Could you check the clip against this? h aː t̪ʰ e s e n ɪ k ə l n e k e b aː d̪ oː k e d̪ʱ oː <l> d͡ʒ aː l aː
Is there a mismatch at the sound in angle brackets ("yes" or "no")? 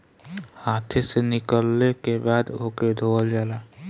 no